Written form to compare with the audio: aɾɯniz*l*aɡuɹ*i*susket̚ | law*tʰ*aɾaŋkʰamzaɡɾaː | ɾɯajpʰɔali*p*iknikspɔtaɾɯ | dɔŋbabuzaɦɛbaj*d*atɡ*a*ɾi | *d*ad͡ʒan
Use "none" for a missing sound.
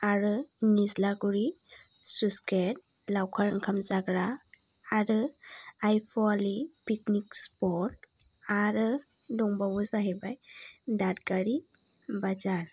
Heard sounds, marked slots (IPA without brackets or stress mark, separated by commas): l, i, kʰ, p, d, a, b